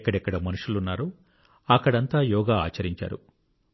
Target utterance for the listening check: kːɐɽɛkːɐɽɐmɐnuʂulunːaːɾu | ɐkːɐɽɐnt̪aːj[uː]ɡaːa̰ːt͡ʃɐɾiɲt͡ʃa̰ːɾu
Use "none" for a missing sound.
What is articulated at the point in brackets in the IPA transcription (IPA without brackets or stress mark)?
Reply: ɔː